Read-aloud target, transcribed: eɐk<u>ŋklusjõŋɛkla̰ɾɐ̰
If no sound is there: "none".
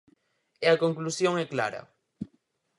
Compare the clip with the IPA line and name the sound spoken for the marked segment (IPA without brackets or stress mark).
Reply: o